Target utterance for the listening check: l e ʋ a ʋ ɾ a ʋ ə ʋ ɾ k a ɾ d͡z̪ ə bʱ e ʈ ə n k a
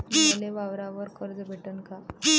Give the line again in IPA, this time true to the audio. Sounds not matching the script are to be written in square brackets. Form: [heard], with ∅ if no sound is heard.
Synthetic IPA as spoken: l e ʋ a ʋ ɾ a ʋ ə [∅] ɾ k [ə] ɾ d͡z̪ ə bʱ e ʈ ə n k a

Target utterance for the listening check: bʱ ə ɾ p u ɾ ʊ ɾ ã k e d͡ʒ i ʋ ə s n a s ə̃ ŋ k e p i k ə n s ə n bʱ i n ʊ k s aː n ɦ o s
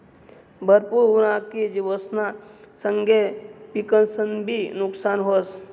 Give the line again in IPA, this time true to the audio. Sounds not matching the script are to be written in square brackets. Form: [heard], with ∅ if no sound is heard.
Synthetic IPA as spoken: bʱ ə ɾ p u ɾ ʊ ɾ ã k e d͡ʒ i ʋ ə s n a s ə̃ ŋ [ɡ] e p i k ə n s ə n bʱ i n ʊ k s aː n ɦ o s

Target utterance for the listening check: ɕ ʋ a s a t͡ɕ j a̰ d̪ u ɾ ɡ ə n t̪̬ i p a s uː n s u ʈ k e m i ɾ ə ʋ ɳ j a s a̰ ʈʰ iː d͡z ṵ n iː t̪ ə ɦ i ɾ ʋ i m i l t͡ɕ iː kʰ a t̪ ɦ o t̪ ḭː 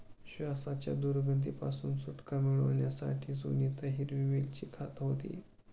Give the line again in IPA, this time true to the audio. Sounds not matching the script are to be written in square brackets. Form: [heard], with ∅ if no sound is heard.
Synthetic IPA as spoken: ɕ ʋ a s a t͡ɕ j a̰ d̪ u ɾ ɡ ə n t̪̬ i p a s uː n s u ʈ k [a] m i [ɭ] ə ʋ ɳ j a s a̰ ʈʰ iː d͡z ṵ n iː t̪ ə ɦ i ɾ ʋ i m i l t͡ɕ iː kʰ a t̪ ɦ o t̪ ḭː

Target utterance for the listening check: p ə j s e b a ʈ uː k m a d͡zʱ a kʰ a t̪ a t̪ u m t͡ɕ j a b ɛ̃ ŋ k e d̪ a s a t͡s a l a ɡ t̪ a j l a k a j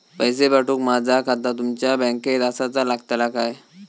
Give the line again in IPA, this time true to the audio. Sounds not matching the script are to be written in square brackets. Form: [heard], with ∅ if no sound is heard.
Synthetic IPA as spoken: p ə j s e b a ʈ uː k m a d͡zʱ a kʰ a t̪ a t̪ u m t͡ɕ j a b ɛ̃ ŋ k e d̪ a s a t͡s a l a ɡ t̪ a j l a k a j

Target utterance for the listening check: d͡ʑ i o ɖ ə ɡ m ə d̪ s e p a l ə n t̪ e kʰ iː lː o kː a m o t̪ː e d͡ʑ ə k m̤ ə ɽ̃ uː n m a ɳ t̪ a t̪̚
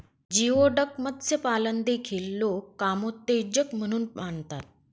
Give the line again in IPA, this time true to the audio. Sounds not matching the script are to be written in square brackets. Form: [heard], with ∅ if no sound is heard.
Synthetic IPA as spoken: d͡ʑ i o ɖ ə [k] m ə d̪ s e p a l ə n [d̪] e kʰ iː lː o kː a m o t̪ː e d͡ʑ ə k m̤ ə ɽ̃ uː n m a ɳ t̪ a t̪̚

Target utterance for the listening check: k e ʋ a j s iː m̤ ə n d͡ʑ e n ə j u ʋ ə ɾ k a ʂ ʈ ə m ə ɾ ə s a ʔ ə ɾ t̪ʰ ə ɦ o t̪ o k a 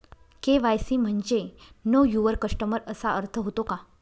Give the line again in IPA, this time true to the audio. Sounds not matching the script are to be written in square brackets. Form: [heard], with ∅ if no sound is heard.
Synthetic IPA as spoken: k e ʋ a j s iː m̤ ə [ɳ] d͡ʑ e n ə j u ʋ ə ɾ k [ə] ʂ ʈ ə m ə ɾ ə s a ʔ ə ɾ t̪ʰ ə ɦ o t̪ o k a

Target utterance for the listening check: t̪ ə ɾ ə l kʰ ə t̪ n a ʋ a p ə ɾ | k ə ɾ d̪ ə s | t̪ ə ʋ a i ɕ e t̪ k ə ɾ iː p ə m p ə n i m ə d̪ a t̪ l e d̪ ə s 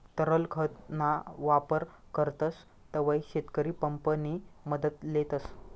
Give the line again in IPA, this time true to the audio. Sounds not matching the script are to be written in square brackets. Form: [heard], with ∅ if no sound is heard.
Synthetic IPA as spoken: t̪ ə ɾ ə l kʰ ə t̪ n a ʋ a p ə ɾ | k ə ɾ [t̪] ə s | t̪ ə ʋ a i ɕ e t̪ k ə ɾ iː p ə m p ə n i m ə d̪ [ə] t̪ l e [t̪] ə s

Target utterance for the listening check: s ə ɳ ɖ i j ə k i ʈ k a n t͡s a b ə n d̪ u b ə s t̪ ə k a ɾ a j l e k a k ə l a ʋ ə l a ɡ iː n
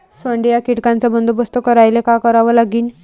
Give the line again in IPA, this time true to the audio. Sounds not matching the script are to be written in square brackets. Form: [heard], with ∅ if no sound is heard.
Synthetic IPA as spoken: s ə ɳ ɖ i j [a] k i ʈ k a n t͡s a b ə n d̪ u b ə s t̪ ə k [ə] ɾ a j l e k a k ə [ɾ] a ʋ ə l a ɡ iː n

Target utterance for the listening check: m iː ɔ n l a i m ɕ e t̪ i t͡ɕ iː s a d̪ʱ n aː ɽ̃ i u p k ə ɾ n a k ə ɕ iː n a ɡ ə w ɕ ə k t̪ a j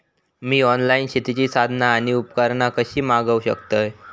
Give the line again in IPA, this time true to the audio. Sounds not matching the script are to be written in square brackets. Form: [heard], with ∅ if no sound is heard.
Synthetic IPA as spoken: m iː ɔ n l a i [n] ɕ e t̪ i t͡ɕ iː s a d̪ʱ n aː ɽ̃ i u p k ə ɾ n a k ə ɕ iː [m] a ɡ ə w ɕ ə k t̪ [ə] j

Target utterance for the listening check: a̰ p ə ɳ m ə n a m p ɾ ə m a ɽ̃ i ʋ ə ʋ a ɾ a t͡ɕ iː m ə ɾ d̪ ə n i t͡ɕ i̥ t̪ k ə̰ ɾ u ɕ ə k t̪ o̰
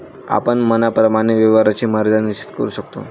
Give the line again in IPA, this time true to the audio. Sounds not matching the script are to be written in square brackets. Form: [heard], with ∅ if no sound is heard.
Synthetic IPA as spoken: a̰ p ə ɳ m ə n a [∅] p ɾ ə m a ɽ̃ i ʋ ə ʋ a ɾ a t͡ɕ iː m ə ɾ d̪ [a] n i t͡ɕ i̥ t̪ k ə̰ ɾ u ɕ ə k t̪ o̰

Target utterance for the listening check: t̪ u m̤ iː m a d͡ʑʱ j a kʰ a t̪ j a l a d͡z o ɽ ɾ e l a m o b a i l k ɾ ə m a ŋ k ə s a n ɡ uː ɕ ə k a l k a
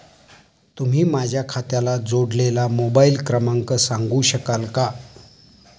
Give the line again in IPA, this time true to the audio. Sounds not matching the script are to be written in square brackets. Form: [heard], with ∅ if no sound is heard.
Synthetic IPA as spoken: t̪ u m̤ iː m a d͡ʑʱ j a kʰ a t̪ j a l a d͡z o ɽ [l] e l a m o b a i l k ɾ ə m a ŋ k ə s a [ŋ] ɡ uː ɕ ə k a l k a

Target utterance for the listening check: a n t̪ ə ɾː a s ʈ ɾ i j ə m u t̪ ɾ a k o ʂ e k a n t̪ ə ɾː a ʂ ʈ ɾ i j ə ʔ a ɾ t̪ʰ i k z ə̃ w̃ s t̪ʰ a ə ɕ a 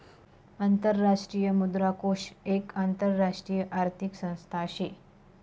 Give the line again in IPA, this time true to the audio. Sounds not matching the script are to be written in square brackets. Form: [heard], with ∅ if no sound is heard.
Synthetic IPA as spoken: a n t̪ ə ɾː a [ʂ] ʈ ɾ i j ə m u [d̪] ɾ a k o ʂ e k a n t̪ ə ɾː a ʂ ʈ ɾ i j ə ʔ a ɾ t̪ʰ i k [s] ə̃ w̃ s t̪ʰ a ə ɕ [e]

